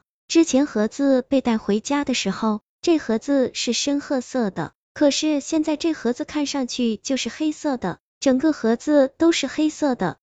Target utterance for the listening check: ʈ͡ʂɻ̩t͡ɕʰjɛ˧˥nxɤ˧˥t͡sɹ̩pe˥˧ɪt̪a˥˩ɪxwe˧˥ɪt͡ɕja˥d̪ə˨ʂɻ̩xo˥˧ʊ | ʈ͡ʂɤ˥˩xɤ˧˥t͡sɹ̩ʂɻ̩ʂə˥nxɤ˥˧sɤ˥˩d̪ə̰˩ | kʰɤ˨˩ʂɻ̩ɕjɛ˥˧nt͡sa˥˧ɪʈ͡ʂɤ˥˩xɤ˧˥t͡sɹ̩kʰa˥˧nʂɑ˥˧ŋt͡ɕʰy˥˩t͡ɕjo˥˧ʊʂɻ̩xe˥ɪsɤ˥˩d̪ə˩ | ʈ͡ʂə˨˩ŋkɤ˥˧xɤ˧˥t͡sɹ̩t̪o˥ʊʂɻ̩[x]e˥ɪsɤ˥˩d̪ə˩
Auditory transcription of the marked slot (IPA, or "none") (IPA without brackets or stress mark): x